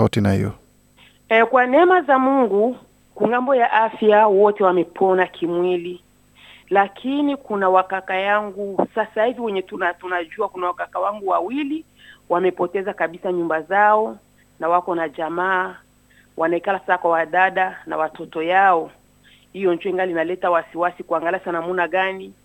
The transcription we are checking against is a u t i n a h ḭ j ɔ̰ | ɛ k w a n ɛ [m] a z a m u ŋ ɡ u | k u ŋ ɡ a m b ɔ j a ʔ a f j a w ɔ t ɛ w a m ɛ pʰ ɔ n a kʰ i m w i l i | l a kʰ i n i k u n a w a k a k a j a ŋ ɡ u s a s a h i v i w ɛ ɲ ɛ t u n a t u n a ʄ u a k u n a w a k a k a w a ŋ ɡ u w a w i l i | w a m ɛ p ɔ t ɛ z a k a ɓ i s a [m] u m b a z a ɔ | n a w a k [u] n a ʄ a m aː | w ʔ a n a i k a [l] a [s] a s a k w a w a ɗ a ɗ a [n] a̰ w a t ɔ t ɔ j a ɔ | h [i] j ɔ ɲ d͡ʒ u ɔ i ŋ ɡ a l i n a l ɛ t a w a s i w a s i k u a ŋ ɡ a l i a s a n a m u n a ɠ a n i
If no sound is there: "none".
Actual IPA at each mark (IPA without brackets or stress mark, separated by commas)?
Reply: m, ɲ, ɔ, l, s, n, i